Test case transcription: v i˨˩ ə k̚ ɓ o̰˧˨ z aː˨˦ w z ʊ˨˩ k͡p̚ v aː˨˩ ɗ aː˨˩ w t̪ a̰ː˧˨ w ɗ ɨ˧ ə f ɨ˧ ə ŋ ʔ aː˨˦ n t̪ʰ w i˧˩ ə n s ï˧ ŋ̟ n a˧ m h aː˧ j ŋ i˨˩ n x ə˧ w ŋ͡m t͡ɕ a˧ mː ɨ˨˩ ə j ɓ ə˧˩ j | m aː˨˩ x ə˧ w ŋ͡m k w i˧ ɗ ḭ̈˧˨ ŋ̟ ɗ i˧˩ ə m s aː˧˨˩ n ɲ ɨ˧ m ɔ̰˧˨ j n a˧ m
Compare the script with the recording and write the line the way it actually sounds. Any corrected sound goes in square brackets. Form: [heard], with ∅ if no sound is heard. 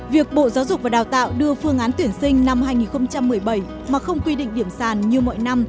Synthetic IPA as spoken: v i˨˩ ə k̚ ɓ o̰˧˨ z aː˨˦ w z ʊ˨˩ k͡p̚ v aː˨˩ ɗ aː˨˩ w t̪ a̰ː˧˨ w ɗ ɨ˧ ə f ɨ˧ ə ŋ ʔ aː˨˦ n [t̪] w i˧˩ ə n s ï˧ ŋ̟ n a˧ m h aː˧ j ŋ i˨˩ n x ə˧ w ŋ͡m t͡ɕ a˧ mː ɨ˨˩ ə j ɓ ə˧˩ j | m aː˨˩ x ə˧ w ŋ͡m k w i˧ ɗ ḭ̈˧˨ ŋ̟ ɗ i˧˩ ə m s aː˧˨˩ n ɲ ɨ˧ m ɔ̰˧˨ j n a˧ m

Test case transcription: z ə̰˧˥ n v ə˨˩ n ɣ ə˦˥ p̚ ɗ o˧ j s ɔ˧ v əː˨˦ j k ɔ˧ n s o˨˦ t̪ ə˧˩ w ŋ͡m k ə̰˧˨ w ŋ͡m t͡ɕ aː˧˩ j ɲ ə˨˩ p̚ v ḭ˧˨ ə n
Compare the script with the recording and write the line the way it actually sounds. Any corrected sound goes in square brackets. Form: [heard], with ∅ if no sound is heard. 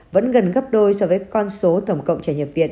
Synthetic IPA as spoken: [v] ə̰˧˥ n [ɣ] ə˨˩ n ɣ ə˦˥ p̚ ɗ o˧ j s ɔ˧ v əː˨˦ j k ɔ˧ n s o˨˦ t̪ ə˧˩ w ŋ͡m k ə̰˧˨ w ŋ͡m t͡ɕ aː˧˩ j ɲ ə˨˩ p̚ v ḭ˧˨ ə n

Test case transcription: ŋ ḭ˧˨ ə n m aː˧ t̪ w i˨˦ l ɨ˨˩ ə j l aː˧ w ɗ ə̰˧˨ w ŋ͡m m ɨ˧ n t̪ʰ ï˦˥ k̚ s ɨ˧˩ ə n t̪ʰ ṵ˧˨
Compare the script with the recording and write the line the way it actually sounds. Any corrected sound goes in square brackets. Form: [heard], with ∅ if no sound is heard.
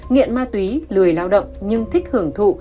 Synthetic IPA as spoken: ŋ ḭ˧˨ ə n m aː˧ t̪ w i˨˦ l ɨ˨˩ ə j l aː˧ w ɗ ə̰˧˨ w ŋ͡m [ɲ] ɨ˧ [ŋ] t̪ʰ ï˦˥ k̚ [h] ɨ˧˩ ə [ŋ] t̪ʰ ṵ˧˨

